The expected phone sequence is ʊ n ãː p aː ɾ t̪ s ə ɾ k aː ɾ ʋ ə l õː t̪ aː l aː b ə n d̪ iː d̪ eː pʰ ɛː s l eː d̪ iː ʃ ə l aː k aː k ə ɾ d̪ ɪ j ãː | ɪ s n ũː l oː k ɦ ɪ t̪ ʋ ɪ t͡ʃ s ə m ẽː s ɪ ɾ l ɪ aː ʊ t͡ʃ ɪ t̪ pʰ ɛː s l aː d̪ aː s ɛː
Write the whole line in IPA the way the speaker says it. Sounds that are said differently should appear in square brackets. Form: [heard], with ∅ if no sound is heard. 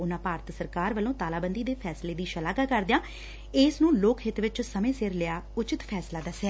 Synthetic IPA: ʊ n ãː p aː ɾ t̪ s ə ɾ k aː ɾ ʋ ə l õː t̪ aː l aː b ə n d̪ iː d̪ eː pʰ ɛː s l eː d̪ iː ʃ ə l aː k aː k ə ɾ d̪ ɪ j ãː | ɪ s n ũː l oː k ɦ ɪ t̪ ʋ ɪ t͡ʃ s ə m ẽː s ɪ ɾ l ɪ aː ʊ t͡ʃ ɪ t̪ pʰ ɛː s l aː d̪ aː s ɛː